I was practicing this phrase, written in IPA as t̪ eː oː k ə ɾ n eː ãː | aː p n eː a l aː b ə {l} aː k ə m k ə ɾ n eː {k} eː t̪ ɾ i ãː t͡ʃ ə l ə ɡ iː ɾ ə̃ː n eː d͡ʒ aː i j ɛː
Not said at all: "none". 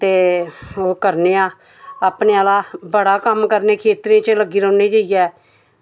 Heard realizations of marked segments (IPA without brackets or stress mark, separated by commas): ɽ, kʰ